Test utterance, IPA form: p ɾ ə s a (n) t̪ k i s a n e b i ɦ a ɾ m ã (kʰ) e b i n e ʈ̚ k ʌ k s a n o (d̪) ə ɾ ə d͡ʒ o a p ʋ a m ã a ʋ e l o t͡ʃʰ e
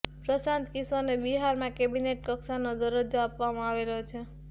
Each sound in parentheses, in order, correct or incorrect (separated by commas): correct, incorrect, correct